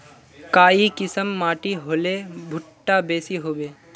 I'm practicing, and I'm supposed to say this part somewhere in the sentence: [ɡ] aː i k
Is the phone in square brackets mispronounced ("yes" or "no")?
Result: yes